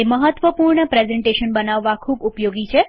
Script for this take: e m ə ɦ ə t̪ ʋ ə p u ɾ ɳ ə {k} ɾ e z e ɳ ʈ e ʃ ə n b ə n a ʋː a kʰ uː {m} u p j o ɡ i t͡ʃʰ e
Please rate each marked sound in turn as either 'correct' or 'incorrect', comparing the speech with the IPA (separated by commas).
incorrect, incorrect